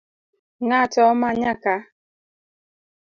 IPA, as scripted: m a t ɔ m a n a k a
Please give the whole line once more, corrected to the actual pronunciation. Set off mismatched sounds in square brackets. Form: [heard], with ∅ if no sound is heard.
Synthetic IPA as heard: [ŋ] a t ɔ m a [ɲ] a k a